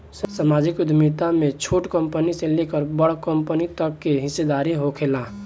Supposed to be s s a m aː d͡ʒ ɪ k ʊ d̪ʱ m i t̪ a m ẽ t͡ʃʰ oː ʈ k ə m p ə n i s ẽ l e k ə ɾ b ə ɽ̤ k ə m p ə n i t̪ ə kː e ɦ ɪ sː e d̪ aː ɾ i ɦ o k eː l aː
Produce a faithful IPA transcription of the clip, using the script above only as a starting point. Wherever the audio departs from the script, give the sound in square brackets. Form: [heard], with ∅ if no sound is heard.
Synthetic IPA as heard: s s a m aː d͡ʒ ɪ k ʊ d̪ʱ m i t̪ a m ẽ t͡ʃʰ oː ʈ k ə m p ə n i s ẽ l e k ə ɾ b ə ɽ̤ k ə m p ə n i t̪ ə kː e ɦ ɪ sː e d̪ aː ɾ i ɦ o [kʰ] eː l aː